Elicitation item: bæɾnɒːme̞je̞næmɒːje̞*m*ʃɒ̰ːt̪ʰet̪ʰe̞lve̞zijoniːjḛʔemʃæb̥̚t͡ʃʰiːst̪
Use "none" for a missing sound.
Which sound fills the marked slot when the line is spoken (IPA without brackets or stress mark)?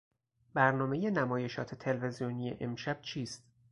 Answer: none